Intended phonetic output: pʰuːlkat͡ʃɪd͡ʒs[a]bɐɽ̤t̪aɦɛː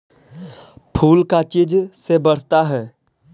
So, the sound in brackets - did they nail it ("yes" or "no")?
no